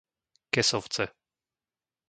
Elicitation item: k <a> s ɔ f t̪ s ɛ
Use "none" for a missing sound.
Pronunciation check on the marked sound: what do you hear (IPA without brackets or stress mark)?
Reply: ɛ